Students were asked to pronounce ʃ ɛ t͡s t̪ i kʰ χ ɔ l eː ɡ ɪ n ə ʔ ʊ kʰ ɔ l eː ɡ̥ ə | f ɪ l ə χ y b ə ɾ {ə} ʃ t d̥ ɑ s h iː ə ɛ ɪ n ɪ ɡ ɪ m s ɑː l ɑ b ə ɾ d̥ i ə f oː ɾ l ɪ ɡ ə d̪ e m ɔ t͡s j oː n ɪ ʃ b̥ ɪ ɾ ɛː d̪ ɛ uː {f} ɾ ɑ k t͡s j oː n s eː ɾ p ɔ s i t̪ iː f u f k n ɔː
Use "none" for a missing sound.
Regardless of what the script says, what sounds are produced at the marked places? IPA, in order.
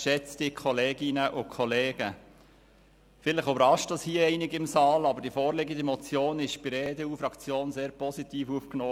ɑ, f

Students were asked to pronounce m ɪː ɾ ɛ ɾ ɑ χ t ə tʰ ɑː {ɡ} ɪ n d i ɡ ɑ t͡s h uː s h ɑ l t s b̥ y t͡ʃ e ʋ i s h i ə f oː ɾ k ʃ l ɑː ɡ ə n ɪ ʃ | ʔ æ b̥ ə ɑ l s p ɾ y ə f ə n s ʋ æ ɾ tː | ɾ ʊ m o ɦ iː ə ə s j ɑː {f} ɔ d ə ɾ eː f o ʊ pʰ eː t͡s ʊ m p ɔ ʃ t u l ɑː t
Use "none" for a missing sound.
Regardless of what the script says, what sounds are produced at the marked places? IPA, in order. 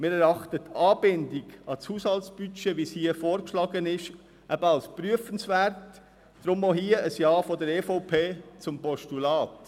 b, f

